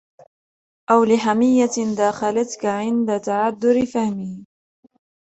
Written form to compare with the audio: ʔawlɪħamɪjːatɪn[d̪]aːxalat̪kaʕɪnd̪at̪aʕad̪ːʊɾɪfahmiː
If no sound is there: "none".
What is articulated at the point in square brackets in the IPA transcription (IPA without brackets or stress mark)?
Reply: d̪